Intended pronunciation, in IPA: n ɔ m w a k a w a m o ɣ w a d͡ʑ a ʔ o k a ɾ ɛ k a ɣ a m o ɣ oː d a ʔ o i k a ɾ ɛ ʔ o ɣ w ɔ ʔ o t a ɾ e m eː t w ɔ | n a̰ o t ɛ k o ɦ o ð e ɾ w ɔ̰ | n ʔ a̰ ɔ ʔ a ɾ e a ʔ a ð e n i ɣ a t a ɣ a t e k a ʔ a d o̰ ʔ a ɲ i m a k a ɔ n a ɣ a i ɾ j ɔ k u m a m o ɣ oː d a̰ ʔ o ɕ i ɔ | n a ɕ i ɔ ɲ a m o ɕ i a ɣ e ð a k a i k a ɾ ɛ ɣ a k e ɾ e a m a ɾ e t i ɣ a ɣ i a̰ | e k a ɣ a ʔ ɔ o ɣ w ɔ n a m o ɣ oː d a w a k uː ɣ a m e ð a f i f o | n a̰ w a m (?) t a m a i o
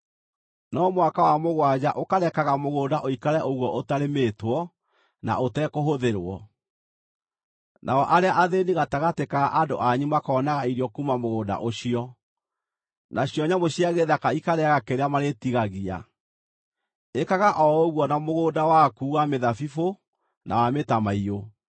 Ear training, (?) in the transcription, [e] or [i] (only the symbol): e